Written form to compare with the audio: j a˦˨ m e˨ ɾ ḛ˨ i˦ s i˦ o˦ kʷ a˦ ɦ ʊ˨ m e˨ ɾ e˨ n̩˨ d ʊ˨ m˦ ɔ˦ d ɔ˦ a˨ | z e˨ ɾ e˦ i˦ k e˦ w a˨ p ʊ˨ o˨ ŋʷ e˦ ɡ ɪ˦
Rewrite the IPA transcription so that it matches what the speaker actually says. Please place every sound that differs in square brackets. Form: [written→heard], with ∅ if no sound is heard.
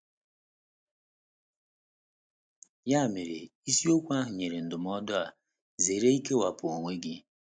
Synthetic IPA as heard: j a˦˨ m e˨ ɾ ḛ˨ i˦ s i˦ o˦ kʷ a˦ ɦ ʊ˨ [m→ɲ] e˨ ɾ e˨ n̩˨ d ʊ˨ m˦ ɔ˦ d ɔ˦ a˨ | z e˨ ɾ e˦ i˦ k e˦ w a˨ p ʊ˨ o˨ ŋʷ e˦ ɡ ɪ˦